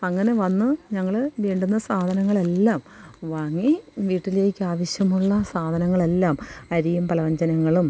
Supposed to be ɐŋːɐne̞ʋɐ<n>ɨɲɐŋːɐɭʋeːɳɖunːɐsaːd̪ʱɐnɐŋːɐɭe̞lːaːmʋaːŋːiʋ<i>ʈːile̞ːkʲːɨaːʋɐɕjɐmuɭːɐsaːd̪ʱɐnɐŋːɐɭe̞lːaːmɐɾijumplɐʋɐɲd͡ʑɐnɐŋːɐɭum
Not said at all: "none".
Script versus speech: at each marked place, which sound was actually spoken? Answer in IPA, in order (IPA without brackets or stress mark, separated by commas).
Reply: nː, iː